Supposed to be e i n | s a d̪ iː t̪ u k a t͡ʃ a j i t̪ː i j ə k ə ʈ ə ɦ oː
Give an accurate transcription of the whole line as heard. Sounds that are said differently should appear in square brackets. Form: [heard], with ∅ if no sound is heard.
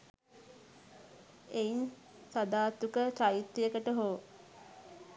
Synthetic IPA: e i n | s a d̪ [aː] t̪ u k [ə] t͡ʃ a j i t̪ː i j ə k ə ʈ ə ɦ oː